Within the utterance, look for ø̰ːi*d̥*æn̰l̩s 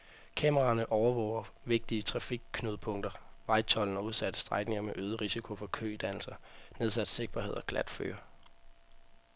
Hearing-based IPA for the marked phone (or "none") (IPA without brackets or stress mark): d̥